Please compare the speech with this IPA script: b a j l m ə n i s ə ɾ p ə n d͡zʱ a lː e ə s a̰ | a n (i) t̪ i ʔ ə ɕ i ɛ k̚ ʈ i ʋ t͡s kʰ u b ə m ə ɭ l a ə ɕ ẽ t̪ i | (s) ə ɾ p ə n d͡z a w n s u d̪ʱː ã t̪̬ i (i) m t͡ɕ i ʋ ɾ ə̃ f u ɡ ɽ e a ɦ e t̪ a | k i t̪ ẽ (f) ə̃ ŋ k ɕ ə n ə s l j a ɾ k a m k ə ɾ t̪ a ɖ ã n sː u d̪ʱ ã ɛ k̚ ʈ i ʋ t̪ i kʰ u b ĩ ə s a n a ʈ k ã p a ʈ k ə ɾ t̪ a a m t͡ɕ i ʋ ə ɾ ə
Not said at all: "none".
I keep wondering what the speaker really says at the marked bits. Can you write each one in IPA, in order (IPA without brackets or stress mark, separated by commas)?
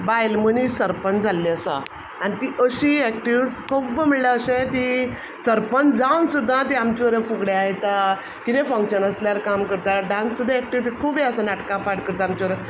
i, s, a, f